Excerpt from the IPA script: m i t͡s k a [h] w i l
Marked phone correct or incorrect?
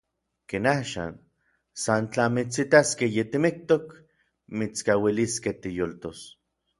incorrect